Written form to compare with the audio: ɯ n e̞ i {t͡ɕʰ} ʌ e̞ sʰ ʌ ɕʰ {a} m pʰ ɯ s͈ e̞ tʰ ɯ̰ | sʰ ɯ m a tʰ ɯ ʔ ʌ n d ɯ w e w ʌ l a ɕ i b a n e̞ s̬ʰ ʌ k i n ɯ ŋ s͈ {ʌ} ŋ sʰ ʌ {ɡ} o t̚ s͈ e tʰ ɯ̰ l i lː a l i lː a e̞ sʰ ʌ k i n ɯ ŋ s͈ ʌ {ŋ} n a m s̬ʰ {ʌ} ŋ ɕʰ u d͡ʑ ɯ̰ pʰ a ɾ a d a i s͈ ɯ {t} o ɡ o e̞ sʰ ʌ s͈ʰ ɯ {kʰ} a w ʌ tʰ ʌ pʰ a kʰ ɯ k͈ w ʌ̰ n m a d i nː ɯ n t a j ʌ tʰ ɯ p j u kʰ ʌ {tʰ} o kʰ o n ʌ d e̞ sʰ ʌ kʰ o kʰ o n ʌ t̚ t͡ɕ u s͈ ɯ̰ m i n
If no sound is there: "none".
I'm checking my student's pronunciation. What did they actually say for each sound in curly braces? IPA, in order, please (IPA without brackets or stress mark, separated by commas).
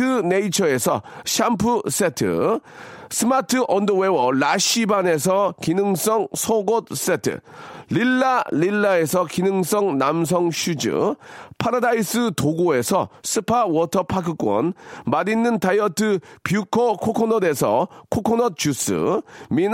t͡ɕʰ, a, ʌ, ɡ, ŋ, ʌ, t, pʰ, kʰ